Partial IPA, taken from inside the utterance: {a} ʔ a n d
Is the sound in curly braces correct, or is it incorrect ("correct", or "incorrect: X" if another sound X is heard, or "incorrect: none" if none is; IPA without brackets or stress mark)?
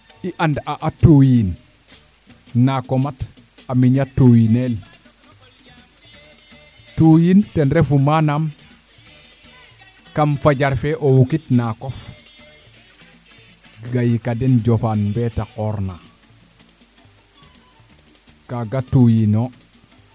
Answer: incorrect: i